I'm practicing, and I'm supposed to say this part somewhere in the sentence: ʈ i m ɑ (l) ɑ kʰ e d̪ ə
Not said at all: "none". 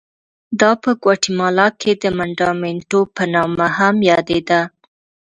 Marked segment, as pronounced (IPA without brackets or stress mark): l